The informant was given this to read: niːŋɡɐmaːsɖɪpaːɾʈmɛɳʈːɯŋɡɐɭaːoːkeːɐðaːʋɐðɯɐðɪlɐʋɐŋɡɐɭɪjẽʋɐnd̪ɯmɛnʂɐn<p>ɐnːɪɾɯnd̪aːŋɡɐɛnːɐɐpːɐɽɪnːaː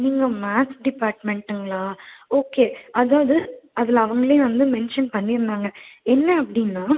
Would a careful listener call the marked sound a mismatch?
no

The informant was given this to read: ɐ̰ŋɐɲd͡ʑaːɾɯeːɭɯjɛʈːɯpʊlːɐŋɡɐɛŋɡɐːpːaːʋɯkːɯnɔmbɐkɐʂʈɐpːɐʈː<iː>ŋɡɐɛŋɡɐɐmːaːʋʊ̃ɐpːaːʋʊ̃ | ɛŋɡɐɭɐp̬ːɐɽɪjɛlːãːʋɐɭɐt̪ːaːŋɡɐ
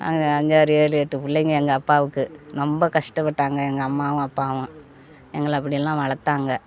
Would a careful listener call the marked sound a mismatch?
yes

